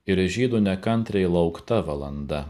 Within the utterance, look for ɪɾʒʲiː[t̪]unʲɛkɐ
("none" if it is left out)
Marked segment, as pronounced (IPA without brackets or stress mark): d̪